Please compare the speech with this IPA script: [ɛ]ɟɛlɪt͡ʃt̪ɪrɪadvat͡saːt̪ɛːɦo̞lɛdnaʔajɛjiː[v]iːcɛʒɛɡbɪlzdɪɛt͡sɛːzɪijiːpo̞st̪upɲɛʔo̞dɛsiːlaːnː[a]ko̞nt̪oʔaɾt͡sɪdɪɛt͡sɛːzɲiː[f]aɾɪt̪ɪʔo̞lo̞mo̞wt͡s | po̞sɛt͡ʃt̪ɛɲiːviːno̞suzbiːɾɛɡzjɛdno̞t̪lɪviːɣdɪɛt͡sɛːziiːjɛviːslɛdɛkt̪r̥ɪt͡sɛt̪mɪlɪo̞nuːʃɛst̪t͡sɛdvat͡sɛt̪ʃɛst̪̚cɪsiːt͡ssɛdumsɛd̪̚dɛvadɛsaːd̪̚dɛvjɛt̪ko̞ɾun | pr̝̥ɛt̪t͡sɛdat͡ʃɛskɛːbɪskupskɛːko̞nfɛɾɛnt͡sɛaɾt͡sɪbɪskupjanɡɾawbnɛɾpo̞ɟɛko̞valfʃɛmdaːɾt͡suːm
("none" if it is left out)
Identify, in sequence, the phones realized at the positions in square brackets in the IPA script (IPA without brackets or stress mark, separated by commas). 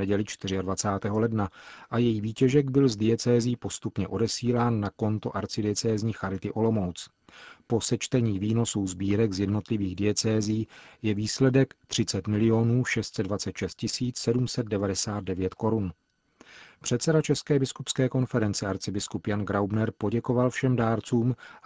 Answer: ɛ, v, a, x